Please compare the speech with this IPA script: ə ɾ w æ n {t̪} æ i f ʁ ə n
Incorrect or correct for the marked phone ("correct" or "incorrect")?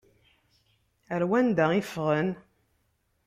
incorrect